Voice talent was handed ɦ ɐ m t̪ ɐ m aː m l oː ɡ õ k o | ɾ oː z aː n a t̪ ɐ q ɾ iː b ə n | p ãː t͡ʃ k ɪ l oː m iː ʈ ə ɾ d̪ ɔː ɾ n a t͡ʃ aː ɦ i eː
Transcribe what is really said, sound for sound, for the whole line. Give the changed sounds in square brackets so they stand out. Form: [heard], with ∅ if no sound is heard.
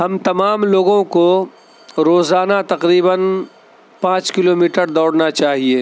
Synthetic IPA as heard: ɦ ɐ m t̪ ɐ m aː m l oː ɡ õ k o | ɾ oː z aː n a t̪ ɐ q ɾ iː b ə n | p ãː t͡ʃ k ɪ l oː m iː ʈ ə ɾ d̪ ɔː [ɽ] n a t͡ʃ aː ɦ i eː

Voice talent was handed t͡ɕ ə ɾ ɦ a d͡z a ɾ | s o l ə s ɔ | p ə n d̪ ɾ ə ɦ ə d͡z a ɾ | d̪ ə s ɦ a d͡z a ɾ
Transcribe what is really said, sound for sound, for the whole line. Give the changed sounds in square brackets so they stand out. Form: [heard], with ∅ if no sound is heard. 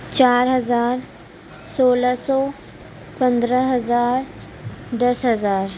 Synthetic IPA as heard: t͡ɕ [a] ɾ ɦ [ə] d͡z a ɾ | s o l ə s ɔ | p ə n d̪ ɾ ə ɦ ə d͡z a ɾ | d̪ ə s ɦ [ə] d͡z a ɾ

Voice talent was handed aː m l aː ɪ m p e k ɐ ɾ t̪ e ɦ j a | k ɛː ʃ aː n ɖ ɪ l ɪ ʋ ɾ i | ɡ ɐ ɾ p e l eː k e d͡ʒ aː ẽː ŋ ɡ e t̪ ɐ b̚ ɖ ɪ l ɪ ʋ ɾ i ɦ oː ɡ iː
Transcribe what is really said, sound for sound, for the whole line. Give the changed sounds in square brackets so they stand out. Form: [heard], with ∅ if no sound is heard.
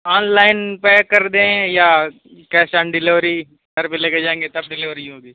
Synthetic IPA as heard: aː [n] l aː ɪ [n] p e k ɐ ɾ [d̪] e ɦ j a | k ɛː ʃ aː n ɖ ɪ l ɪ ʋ ɾ i | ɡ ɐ ɾ p e l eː k e d͡ʒ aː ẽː ŋ ɡ e t̪ ɐ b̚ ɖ ɪ l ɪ ʋ ɾ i ɦ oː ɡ iː

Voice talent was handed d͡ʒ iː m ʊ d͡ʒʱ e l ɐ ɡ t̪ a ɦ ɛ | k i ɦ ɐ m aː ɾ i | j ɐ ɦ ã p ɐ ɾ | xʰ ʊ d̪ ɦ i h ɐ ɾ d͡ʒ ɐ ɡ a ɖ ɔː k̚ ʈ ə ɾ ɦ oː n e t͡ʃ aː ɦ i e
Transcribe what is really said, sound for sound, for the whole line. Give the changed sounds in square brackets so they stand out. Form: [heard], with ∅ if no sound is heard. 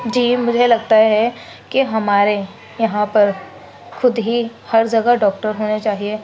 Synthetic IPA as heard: d͡ʒ iː m ʊ d͡ʒʱ e l ɐ ɡ t̪ a ɦ ɛ | k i ɦ ɐ m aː ɾ [e] | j ɐ ɦ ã p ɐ ɾ | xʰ ʊ d̪ ɦ i h ɐ ɾ d͡ʒ ɐ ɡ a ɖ ɔː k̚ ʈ ə ɾ ɦ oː n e t͡ʃ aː ɦ i e

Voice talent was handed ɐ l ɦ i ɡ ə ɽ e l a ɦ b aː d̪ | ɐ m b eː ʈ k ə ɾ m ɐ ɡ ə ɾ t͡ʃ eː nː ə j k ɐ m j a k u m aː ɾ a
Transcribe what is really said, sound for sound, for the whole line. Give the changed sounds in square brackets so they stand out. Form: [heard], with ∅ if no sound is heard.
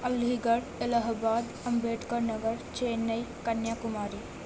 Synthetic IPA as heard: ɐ l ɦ i ɡ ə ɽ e l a ɦ b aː d̪ | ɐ m b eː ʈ k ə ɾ [n] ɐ ɡ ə ɾ t͡ʃ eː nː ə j k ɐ [n] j a k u m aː ɾ [i]

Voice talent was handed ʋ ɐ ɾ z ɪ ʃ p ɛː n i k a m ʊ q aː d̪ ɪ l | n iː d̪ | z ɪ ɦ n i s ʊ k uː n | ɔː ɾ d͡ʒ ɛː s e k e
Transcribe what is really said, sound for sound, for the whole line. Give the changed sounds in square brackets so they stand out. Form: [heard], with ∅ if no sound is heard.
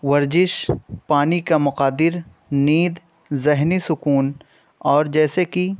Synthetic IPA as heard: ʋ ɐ ɾ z ɪ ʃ p [aː] n i k a m ʊ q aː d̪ ɪ [ɾ] | n iː d̪ | z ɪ ɦ n i s ʊ k uː n | ɔː ɾ d͡ʒ ɛː s e k [i]

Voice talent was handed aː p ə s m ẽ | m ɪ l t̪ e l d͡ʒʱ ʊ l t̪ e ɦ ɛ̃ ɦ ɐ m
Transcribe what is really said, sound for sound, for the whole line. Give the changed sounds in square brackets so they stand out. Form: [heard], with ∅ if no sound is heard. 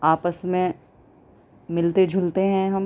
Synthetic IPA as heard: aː p ə s m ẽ | m ɪ l t̪ e [∅] d͡ʒʱ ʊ l t̪ e ɦ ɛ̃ ɦ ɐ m

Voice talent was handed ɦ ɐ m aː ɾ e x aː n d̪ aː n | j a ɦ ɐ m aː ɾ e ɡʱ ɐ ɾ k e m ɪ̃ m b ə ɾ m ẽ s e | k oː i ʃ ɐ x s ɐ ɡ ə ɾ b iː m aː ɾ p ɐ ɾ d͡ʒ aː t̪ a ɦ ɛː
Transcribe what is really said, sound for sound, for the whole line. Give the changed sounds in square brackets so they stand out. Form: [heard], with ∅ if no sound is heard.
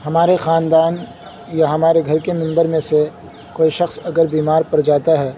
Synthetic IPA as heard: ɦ ɐ m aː ɾ e x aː n d̪ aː n | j a ɦ ɐ m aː ɾ e ɡʱ ɐ ɾ k e m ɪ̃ m b ə ɾ m ẽ s e | k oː i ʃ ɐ x s ɐ ɡ ə ɾ b iː m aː ɾ p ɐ ɾ d͡ʒ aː t̪ a ɦ ɛː

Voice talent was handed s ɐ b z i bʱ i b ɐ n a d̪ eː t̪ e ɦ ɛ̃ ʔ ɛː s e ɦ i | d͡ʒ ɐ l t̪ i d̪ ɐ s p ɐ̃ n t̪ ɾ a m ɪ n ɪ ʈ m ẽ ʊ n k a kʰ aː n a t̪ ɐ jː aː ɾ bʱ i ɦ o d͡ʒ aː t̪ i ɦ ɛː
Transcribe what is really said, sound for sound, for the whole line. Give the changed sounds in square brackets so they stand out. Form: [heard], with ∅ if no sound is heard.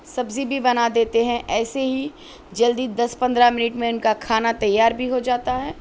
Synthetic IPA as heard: s ɐ b z i bʱ i b ɐ n a d̪ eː t̪ e ɦ ɛ̃ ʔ ɛː s e ɦ i | d͡ʒ ɐ l [d̪] i d̪ ɐ s p ɐ̃ n [d̪] ɾ a m ɪ n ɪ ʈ m ẽ ʊ n k a kʰ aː n a t̪ ɐ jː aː ɾ bʱ i ɦ o d͡ʒ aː t̪ [a] ɦ ɛː

